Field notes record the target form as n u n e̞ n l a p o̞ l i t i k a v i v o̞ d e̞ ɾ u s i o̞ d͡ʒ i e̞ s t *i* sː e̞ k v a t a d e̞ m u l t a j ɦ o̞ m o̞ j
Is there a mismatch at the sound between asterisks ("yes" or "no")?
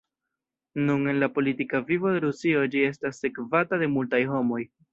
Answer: yes